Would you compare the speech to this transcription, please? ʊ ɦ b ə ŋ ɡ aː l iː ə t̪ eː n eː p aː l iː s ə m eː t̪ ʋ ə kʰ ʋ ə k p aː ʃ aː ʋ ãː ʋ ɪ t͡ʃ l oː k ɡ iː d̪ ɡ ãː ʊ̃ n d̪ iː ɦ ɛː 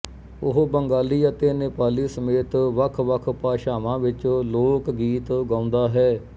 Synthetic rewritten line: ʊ ɦ b ə ŋ ɡ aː l iː ə t̪ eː n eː p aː l iː s ə m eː t̪ ʋ ə kʰ ʋ ə kʰ p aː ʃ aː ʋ ãː ʋ ɪ t͡ʃ l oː k ɡ iː t̪ ɡ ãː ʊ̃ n d̪ aː ɦ ɛː